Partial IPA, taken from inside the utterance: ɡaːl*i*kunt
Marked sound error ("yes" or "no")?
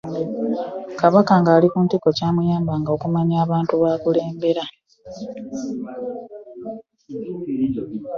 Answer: no